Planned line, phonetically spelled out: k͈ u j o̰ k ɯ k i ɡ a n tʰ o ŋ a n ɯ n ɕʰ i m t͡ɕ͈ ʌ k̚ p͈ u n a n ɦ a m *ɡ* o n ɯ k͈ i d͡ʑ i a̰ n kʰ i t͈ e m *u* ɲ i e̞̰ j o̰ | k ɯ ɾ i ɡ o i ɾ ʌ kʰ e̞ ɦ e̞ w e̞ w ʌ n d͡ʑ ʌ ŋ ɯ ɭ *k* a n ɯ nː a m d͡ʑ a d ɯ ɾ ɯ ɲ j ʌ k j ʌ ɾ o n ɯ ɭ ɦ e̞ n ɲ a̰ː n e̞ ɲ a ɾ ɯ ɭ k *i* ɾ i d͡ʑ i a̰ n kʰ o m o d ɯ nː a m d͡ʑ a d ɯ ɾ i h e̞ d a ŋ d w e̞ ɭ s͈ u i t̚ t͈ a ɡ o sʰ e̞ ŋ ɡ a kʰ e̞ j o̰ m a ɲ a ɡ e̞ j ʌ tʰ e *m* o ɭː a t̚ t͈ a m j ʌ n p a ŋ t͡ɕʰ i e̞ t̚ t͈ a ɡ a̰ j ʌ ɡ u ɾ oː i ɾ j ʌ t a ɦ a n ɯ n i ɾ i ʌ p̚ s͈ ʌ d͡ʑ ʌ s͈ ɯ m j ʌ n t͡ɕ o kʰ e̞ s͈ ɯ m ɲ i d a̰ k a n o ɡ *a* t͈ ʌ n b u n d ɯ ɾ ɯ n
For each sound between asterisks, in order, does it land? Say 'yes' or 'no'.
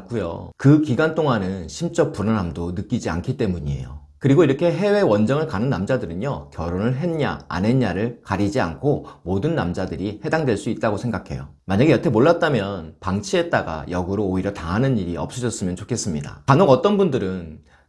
no, yes, yes, no, yes, no

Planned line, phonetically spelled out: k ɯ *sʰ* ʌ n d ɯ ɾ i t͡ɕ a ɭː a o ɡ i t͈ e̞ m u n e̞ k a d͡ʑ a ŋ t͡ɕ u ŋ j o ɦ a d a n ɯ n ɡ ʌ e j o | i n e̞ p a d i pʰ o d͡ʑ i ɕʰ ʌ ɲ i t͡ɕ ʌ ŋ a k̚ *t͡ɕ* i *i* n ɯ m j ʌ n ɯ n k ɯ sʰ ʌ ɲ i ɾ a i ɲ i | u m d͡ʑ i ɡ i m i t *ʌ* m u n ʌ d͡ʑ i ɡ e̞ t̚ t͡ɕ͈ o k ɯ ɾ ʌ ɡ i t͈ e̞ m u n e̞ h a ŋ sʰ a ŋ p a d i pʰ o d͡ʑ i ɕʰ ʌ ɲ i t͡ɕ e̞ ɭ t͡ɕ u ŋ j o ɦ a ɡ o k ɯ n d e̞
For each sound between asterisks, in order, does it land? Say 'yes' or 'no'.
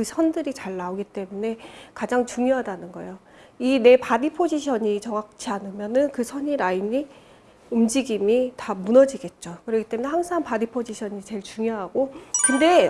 yes, no, no, no

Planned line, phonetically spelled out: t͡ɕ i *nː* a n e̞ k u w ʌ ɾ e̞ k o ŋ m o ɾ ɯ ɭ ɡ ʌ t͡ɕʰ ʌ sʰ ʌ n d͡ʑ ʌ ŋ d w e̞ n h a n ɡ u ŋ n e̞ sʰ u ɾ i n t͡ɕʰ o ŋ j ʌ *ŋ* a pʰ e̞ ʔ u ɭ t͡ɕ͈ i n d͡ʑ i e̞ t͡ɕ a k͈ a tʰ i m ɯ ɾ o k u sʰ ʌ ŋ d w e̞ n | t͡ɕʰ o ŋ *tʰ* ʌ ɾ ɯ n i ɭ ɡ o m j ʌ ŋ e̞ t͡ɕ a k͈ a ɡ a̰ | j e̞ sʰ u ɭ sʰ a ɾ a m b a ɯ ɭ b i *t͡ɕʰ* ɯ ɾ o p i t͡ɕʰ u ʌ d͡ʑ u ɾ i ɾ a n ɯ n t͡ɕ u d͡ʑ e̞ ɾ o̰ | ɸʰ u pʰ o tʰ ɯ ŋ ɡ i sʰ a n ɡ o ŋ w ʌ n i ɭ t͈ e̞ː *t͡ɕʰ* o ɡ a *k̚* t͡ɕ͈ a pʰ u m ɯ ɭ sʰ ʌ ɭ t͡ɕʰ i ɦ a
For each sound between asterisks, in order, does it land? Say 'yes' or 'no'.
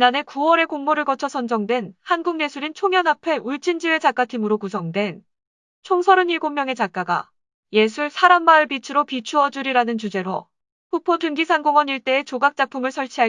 no, no, no, yes, no, yes

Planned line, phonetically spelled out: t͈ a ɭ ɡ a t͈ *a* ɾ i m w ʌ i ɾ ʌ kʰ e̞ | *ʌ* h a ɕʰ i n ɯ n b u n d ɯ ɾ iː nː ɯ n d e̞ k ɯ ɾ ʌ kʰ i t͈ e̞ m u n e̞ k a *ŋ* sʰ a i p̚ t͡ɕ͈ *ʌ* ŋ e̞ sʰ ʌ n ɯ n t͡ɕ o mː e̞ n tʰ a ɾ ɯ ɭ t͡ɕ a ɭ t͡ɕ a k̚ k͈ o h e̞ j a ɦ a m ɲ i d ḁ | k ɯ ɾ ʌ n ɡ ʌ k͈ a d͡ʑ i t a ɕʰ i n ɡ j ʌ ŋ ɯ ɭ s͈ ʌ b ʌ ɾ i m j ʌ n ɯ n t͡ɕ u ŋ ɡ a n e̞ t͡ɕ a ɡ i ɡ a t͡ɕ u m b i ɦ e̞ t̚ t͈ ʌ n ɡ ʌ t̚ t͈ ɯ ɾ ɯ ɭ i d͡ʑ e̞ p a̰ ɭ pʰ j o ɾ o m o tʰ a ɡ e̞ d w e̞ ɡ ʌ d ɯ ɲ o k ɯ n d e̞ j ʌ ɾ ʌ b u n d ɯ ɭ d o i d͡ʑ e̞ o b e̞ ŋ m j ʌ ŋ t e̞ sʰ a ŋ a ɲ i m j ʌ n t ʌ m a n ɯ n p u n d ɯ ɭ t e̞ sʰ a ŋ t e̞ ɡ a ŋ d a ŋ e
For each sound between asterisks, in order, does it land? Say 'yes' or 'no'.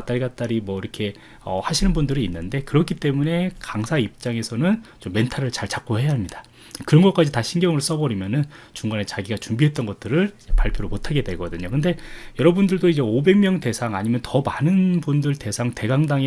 yes, yes, yes, no

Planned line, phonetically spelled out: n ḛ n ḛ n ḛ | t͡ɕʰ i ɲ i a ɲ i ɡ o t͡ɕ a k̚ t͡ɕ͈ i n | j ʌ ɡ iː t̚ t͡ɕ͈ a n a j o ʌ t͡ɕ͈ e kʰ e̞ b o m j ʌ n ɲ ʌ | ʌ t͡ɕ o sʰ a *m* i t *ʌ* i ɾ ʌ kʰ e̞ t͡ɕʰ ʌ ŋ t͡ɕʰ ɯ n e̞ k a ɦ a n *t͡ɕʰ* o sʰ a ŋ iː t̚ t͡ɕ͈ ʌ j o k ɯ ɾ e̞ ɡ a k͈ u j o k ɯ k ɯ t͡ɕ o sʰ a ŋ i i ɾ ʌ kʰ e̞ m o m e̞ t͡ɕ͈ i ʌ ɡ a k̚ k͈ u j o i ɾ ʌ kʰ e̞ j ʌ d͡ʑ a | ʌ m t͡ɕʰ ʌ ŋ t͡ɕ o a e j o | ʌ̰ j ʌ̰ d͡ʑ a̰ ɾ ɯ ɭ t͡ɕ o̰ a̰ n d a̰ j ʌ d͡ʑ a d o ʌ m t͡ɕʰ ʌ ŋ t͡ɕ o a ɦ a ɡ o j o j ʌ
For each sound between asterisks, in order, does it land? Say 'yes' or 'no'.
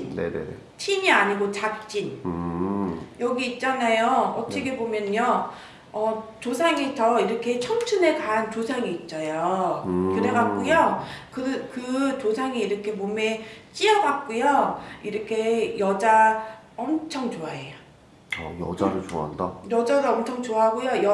no, yes, no

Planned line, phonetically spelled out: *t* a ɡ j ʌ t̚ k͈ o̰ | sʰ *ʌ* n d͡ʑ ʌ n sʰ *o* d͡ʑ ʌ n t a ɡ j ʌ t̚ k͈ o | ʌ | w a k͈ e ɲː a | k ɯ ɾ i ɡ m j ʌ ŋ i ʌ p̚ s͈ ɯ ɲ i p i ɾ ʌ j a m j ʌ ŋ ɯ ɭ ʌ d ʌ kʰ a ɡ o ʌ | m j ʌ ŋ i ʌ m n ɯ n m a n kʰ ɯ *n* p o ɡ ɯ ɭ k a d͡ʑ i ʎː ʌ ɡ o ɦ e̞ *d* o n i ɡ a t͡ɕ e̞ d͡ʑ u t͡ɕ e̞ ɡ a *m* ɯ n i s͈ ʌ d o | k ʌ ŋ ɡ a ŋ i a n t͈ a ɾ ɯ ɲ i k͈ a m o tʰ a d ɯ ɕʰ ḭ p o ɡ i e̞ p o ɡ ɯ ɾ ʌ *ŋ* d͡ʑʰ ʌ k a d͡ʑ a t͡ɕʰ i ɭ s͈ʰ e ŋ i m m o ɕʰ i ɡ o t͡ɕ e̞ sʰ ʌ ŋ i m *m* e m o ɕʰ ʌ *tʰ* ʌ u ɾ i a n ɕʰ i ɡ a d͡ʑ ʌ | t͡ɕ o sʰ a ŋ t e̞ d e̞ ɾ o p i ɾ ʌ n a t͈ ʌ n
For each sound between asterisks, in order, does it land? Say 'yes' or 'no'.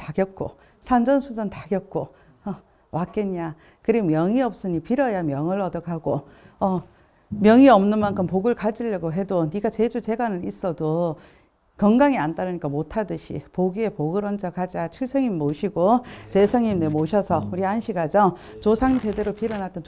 yes, no, no, no, yes, no, no, no, no

